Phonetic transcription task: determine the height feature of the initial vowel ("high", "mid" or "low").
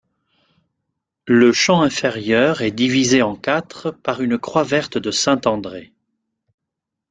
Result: mid